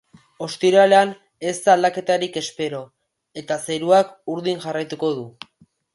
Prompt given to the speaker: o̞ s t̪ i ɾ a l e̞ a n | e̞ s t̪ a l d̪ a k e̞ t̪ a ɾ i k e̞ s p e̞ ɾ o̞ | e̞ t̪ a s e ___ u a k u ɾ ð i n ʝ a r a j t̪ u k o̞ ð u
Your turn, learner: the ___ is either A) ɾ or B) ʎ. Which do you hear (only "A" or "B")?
A